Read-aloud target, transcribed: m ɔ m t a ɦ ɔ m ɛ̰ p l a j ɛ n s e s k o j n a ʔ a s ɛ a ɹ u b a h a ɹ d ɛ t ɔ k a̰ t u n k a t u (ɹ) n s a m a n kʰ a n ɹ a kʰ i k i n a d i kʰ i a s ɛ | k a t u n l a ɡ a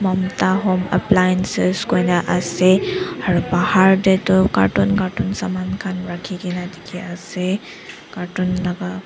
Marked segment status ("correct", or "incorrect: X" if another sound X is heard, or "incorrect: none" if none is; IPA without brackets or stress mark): incorrect: none